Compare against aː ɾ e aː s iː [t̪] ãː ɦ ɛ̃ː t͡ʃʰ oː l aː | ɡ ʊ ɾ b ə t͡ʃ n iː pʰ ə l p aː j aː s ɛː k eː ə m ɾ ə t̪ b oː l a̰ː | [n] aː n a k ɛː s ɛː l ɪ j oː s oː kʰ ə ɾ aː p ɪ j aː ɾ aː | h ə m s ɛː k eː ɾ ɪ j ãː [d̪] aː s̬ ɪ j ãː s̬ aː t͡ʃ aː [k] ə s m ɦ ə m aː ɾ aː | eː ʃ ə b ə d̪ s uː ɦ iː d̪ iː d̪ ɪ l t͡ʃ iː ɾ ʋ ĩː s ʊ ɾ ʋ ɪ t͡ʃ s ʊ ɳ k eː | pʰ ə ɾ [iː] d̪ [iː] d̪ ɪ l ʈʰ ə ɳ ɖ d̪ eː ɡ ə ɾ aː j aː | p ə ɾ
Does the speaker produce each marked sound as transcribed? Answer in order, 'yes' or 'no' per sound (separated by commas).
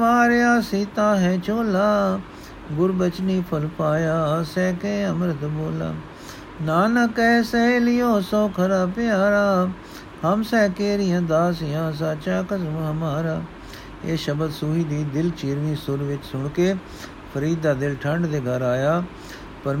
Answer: yes, yes, yes, yes, yes, no